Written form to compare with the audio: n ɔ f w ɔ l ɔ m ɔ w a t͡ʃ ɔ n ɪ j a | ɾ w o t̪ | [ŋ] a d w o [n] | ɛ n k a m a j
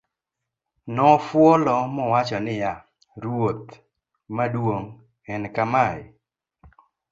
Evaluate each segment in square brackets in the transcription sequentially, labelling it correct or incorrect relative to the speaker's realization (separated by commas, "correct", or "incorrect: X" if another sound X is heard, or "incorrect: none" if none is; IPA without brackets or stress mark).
incorrect: m, incorrect: ŋ